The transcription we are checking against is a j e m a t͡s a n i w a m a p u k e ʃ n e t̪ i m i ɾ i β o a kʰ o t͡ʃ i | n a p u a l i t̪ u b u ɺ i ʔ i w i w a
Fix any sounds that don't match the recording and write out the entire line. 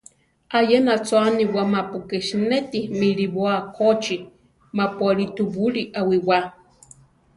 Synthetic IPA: a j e n a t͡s a n i w a m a p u k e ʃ n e t̪ i m i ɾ i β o a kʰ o t͡ʃ i | m a p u a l i t̪ u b u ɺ i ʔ a w i w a